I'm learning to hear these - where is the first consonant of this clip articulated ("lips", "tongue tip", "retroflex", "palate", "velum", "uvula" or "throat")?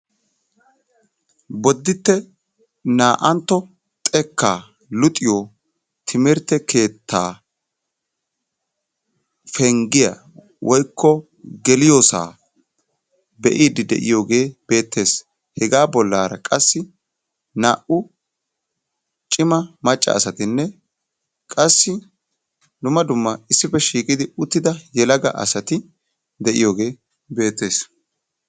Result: lips